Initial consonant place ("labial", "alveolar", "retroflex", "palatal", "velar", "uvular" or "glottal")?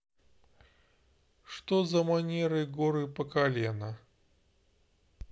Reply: retroflex